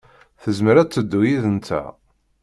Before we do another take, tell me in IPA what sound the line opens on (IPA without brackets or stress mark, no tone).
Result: θ